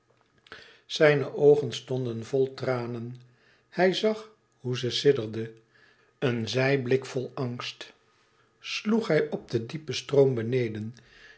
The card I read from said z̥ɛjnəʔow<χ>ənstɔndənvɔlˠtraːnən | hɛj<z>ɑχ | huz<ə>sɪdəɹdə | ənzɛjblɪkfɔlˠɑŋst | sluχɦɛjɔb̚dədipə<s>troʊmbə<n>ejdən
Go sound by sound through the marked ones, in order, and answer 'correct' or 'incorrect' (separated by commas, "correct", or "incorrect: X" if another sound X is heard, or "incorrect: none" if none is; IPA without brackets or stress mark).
correct, correct, correct, correct, correct